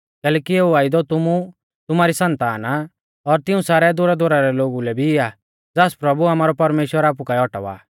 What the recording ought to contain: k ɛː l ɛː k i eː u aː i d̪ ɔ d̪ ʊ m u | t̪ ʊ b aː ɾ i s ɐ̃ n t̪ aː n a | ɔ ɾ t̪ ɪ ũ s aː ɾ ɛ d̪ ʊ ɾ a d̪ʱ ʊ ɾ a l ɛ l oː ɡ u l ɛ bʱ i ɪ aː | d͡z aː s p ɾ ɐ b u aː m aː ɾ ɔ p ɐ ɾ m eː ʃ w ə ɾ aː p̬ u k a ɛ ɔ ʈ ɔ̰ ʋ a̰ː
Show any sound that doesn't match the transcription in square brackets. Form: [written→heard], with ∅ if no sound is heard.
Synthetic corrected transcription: k ɛː l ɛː k i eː u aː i d̪ ɔ [d̪→t̪] ʊ m u | t̪ ʊ [b→m] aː ɾ i s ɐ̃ n t̪ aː n a | ɔ ɾ t̪ ɪ ũ s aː ɾ ɛ d̪ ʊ ɾ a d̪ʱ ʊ ɾ a [l→ɾ] ɛ l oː ɡ u l ɛ bʱ i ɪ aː | d͡z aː s p ɾ ɐ b u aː m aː ɾ ɔ p ɐ ɾ m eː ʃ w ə ɾ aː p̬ u k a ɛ ɔ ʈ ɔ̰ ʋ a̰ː

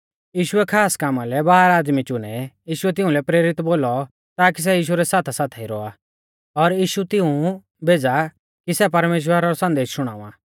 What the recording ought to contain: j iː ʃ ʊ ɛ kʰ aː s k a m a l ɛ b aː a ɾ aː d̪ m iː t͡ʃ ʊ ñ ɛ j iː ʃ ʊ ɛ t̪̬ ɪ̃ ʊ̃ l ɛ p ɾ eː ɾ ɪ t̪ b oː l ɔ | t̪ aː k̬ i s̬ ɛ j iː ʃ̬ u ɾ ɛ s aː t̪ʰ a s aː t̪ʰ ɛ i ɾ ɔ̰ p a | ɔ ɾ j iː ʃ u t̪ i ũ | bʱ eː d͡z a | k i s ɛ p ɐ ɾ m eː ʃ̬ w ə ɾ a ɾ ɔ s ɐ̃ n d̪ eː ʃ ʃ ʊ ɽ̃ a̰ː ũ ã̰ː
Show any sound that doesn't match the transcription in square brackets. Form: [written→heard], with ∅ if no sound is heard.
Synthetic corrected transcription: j iː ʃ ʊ ɛ kʰ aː s k a m a l ɛ b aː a ɾ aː d̪ m [iː→i] t͡ʃ ʊ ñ ɛ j iː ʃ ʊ ɛ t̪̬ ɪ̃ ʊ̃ l ɛ p ɾ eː ɾ ɪ t̪ b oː l ɔ | t̪ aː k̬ i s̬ ɛ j iː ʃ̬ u ɾ ɛ s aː t̪ʰ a s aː t̪ʰ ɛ i ɾ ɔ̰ [p→∅] a | ɔ ɾ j iː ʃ u t̪ [i→ɪ] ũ | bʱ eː d͡z a | k i s ɛ p ɐ ɾ m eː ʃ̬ w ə ɾ a ɾ ɔ s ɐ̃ n d̪ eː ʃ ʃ ʊ ɽ̃ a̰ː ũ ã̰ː

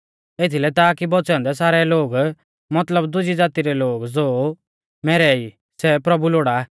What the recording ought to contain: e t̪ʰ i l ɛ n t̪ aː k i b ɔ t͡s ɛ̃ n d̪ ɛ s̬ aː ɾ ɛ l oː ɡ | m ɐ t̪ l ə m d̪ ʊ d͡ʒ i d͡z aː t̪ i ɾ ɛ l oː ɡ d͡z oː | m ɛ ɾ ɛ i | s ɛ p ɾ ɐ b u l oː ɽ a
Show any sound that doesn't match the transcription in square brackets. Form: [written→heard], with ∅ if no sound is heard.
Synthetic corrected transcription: e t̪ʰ i l ɛ [n→∅] t̪ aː k i b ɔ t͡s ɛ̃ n d̪ ɛ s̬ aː ɾ ɛ l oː ɡ | m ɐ t̪ l ə [m→b] d̪ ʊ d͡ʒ i d͡z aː t̪ i ɾ ɛ l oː ɡ d͡z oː | m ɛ ɾ ɛ i | s ɛ p ɾ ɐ b u l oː ɽ a

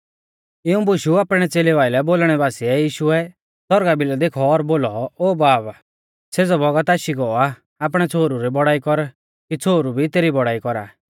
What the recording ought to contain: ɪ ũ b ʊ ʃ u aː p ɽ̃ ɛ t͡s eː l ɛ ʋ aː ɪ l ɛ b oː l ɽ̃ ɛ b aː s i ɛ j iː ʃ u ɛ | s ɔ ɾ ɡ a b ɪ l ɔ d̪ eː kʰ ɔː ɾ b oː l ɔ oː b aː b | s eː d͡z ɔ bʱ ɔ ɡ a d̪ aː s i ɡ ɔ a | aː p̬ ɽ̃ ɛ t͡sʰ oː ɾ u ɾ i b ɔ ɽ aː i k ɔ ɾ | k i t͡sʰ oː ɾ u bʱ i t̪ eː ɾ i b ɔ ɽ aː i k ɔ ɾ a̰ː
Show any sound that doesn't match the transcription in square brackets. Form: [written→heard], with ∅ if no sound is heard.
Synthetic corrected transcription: ɪ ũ b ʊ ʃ u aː p ɽ̃ ɛ t͡s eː l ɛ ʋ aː ɪ l ɛ b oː l ɽ̃ ɛ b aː s i ɛ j iː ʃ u ɛ | s ɔ ɾ ɡ a b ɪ l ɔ d̪ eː kʰ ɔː ɾ b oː l ɔ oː b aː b | s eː d͡z ɔ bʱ ɔ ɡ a [d̪→t̪] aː [s→ʃ] i ɡ ɔ a | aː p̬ ɽ̃ ɛ t͡sʰ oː ɾ u ɾ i b ɔ ɽ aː i k ɔ ɾ | k i t͡sʰ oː ɾ u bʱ i t̪ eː ɾ i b ɔ ɽ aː i k ɔ ɾ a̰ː

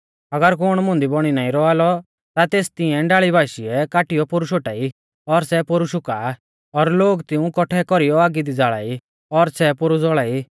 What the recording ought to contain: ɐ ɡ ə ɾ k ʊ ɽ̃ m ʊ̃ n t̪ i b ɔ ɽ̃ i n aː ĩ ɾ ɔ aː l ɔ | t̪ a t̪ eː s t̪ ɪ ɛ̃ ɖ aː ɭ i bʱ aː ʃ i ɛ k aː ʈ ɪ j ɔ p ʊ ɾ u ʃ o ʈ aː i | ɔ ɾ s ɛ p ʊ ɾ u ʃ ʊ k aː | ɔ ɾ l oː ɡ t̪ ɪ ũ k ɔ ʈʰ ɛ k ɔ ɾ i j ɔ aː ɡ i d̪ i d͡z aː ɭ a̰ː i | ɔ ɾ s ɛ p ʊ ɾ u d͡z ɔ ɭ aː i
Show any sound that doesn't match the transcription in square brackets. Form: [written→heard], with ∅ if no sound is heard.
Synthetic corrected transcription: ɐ ɡ ə ɾ k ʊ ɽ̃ m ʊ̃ n [t̪→d̪] i b ɔ ɽ̃ i n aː ĩ ɾ ɔ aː l ɔ | t̪ a t̪ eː s t̪ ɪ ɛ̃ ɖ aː ɭ i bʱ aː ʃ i ɛ k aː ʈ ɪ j ɔ p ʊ ɾ u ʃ o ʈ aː i | ɔ ɾ s ɛ p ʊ ɾ u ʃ ʊ k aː | ɔ ɾ l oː ɡ t̪ ɪ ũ k ɔ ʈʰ ɛ k ɔ ɾ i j ɔ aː ɡ i d̪ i d͡z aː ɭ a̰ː i | ɔ ɾ s ɛ p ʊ ɾ u d͡z ɔ ɭ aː i

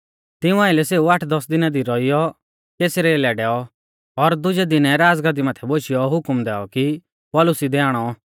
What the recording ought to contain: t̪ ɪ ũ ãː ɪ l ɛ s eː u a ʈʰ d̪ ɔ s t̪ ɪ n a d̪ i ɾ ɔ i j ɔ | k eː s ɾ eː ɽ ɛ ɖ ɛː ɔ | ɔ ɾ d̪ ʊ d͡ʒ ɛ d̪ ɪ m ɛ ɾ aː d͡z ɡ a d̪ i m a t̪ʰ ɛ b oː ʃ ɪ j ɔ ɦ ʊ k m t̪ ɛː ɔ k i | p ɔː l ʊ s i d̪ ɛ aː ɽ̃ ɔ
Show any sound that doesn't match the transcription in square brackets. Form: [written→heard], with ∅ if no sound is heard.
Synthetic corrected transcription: t̪ ɪ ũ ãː ɪ l ɛ s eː u a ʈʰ d̪ ɔ s [t̪→d̪] ɪ n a d̪ i ɾ ɔ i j ɔ | k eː s ɾ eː [ɽ→l] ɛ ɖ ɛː ɔ | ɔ ɾ d̪ ʊ d͡ʒ ɛ d̪ ɪ [m→n] ɛ ɾ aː d͡z ɡ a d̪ i m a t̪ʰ ɛ b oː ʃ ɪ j ɔ ɦ ʊ k m [t̪→d̪] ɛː ɔ k i | p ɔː l ʊ s i d̪ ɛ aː ɽ̃ ɔ

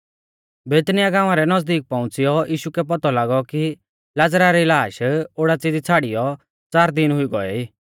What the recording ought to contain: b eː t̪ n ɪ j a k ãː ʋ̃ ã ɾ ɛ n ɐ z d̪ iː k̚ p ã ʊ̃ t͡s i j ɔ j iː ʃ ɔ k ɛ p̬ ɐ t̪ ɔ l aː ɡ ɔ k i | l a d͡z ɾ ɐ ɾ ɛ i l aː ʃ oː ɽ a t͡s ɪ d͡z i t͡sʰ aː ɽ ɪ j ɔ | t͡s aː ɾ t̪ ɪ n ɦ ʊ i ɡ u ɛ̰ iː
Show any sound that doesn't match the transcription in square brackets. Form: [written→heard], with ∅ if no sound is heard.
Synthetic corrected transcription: b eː t̪ n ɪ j a [k→ɡ] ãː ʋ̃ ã ɾ ɛ n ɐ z d̪ iː k̚ p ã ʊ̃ t͡s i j ɔ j iː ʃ [ɔ→u] k ɛ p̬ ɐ t̪ ɔ l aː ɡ ɔ k i | l a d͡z ɾ [ɐ→a] ɾ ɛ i l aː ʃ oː ɽ a t͡s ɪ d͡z i t͡sʰ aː ɽ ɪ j ɔ | t͡s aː ɾ [t̪→d̪] ɪ n ɦ ʊ i ɡ [u→ɔ] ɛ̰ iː

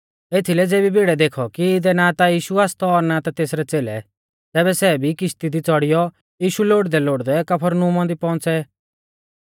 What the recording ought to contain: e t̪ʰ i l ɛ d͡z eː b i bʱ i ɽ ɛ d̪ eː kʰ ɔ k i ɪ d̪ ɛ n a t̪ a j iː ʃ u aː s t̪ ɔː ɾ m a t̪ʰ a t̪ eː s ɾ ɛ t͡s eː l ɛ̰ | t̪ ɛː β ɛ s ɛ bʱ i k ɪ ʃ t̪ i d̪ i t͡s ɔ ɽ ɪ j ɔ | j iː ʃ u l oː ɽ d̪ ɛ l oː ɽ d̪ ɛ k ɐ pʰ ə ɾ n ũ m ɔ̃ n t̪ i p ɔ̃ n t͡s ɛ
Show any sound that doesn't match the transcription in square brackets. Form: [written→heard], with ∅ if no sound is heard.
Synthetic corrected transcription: e t̪ʰ i l ɛ d͡z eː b i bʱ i ɽ ɛ d̪ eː kʰ ɔ k i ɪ d̪ ɛ n a t̪ a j iː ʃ u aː s t̪ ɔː ɾ [m→n] a [t̪ʰ→t̪] a t̪ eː s ɾ ɛ t͡s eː l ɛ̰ | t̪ ɛː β ɛ s ɛ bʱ i k ɪ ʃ t̪ i d̪ i t͡s ɔ ɽ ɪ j ɔ | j iː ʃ u l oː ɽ d̪ ɛ l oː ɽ d̪ ɛ k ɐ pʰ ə ɾ n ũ m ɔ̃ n [t̪→d̪] i p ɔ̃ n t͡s ɛ

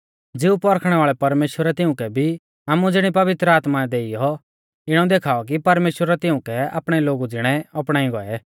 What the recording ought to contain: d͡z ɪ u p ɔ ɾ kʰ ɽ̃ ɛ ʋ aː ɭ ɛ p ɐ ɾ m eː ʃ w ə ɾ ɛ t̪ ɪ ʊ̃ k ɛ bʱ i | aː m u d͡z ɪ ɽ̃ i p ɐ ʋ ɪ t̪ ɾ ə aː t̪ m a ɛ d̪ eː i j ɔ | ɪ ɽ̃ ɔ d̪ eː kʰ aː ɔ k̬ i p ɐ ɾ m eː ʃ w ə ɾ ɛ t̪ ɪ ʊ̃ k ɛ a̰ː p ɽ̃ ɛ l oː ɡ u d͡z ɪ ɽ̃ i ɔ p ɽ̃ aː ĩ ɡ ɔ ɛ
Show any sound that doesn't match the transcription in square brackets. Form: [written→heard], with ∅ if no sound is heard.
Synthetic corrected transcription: d͡z ɪ u p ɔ ɾ kʰ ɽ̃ ɛ ʋ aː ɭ ɛ p ɐ ɾ m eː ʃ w ə ɾ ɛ t̪ ɪ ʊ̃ k ɛ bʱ i | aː m u d͡z ɪ ɽ̃ i p ɐ ʋ ɪ t̪ ɾ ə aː t̪ m a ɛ d̪ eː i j ɔ | ɪ ɽ̃ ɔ d̪ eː kʰ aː ɔ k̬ i p ɐ ɾ m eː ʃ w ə ɾ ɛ t̪ ɪ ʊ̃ k ɛ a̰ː p ɽ̃ ɛ l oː ɡ u d͡z ɪ ɽ̃ [i→ɛ] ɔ p ɽ̃ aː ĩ ɡ ɔ ɛ

